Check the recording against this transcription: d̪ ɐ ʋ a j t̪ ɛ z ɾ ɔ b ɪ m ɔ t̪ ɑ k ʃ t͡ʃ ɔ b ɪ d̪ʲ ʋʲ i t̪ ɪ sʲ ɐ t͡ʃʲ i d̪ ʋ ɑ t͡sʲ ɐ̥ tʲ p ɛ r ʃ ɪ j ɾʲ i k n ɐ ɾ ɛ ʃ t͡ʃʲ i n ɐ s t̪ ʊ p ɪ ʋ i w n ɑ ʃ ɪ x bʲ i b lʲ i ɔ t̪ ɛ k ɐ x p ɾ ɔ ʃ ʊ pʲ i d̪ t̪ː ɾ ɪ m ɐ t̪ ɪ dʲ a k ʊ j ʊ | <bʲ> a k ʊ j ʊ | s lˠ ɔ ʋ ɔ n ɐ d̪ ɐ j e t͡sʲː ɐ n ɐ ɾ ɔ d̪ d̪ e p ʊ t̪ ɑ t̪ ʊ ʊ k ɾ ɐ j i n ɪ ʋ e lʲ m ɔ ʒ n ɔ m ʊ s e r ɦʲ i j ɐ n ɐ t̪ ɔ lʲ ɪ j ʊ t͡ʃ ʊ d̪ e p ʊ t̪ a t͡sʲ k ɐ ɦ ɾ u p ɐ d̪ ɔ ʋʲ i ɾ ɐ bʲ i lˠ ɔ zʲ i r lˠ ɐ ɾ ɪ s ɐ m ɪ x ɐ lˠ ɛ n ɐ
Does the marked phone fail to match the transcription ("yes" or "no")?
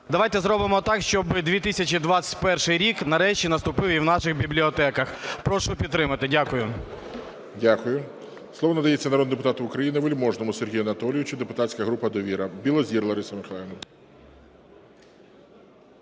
yes